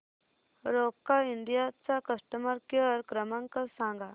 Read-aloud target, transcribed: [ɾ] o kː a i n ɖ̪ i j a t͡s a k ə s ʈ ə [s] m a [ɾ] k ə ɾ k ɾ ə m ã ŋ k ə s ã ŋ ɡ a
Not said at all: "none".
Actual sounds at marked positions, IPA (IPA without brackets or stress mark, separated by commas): ɾ, none, ɾ